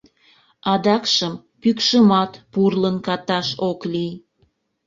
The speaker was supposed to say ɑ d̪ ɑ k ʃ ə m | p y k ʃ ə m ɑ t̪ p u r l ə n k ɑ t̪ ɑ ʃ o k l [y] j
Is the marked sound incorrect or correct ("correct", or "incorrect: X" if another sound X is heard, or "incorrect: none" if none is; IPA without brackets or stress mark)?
incorrect: i